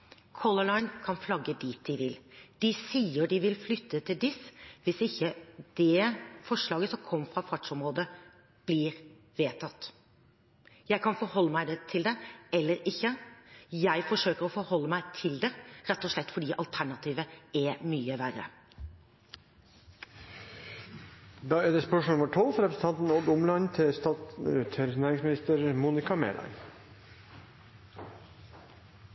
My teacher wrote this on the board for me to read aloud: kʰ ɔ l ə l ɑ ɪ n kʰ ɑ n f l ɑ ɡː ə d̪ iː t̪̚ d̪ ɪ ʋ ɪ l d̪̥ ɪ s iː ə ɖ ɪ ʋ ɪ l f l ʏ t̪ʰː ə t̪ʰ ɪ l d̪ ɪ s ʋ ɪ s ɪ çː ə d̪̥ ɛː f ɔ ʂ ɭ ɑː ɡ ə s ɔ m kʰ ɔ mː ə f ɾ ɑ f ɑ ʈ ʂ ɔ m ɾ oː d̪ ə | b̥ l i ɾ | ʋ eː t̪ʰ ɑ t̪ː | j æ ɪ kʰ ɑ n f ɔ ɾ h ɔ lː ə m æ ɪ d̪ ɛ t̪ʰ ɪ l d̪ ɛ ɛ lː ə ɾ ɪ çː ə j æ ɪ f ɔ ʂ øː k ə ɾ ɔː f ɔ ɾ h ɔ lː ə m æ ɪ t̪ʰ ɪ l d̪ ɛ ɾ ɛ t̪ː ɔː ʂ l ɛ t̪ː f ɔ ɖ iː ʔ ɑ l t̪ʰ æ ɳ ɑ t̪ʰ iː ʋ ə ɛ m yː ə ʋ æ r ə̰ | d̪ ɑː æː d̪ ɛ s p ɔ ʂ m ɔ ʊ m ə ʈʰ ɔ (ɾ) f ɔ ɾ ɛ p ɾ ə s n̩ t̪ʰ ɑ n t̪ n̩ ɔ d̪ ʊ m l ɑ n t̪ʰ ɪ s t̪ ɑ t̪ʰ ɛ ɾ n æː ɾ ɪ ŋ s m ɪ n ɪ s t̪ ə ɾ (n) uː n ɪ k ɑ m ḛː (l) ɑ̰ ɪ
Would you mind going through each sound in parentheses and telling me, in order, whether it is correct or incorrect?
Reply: incorrect: l, incorrect: m, correct

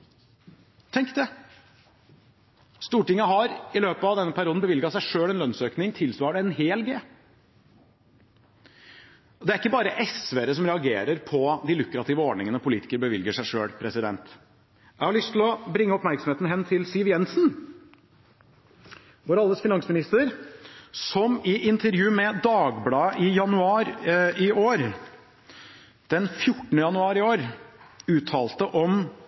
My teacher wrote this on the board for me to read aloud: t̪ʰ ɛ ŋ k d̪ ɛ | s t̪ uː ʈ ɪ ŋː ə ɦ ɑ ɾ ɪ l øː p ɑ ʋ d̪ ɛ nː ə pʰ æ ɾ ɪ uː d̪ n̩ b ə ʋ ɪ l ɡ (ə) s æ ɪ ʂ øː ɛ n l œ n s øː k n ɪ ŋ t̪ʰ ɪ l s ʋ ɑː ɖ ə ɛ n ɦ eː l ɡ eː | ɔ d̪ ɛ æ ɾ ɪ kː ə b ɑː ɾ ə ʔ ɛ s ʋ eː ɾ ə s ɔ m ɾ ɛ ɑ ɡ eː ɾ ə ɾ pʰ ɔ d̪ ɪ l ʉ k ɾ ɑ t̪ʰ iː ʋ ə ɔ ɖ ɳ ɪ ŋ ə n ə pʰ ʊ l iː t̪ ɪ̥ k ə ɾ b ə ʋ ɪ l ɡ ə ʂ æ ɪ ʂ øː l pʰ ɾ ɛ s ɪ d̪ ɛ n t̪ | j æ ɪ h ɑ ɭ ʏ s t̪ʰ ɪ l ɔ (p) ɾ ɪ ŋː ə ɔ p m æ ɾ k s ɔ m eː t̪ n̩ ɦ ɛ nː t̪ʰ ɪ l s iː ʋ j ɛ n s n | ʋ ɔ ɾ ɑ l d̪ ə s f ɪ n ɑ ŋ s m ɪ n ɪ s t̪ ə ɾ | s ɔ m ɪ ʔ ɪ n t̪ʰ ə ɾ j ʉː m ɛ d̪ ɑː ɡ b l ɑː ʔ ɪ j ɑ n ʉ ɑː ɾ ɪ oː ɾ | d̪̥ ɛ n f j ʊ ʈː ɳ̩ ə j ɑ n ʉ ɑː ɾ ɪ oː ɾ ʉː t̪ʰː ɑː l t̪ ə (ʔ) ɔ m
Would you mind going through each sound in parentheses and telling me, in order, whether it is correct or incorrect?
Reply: incorrect: ɑ, incorrect: b, correct

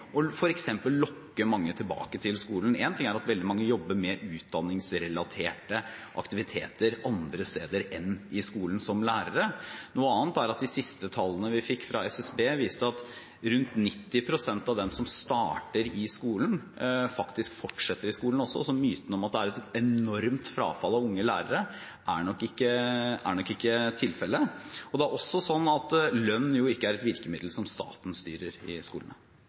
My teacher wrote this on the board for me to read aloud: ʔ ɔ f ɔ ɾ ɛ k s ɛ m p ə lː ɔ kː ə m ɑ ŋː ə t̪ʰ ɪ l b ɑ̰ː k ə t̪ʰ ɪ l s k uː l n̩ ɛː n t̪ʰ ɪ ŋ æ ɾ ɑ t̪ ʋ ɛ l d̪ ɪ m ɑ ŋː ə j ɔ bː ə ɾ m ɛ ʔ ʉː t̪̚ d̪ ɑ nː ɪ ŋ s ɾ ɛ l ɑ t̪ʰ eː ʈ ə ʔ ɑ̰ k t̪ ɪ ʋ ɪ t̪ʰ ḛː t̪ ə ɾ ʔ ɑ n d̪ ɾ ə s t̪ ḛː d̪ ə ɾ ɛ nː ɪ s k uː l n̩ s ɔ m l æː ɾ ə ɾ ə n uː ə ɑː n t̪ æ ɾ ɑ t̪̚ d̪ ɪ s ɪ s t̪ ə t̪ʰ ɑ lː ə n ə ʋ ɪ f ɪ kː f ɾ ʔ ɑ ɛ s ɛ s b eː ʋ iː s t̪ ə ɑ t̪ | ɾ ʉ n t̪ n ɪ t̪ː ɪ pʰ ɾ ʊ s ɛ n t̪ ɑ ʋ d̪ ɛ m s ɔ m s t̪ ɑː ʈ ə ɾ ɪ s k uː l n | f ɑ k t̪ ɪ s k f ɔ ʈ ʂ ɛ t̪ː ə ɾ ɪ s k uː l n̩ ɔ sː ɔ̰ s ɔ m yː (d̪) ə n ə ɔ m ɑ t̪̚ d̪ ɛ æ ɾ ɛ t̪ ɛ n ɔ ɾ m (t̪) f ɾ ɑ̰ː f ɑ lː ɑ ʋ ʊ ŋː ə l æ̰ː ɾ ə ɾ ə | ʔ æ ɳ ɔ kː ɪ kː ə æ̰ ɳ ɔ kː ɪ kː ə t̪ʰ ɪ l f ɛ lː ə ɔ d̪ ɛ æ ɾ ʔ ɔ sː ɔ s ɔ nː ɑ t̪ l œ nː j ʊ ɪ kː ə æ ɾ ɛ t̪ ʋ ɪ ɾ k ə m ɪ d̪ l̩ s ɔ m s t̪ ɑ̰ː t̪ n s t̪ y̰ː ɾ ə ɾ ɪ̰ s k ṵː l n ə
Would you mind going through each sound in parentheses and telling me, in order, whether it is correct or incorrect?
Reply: incorrect: t̪, correct

